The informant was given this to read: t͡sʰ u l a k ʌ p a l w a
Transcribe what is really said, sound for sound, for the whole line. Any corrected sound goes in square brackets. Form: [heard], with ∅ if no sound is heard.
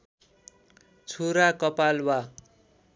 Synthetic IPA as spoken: t͡sʰ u [ɾ] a k ʌ p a l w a